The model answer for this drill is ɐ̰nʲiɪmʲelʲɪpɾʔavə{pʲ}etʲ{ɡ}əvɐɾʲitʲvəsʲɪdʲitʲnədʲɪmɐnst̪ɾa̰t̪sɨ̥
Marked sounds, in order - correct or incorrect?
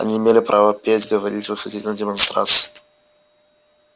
correct, correct

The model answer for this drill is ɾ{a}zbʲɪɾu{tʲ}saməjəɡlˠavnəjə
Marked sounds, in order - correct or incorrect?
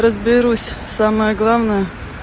incorrect: ə, incorrect: sʲ

